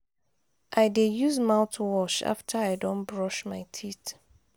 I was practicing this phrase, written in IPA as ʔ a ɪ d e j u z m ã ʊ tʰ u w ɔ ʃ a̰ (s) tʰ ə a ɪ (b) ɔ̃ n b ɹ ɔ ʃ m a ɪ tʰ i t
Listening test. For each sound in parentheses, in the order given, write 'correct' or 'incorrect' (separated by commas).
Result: incorrect, incorrect